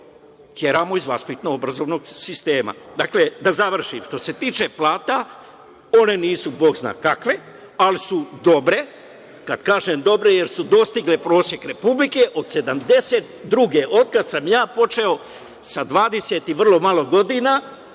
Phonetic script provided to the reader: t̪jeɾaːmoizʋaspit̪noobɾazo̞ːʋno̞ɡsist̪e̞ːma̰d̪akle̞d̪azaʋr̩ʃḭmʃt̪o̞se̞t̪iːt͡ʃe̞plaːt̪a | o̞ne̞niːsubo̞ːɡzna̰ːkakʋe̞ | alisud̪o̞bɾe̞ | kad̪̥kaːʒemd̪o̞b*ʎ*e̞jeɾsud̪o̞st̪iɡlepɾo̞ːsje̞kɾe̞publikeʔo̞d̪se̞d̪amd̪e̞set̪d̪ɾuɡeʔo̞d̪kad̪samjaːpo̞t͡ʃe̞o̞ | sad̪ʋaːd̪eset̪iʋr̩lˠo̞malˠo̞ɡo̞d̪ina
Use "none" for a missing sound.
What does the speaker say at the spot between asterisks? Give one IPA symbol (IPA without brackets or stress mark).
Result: ɾ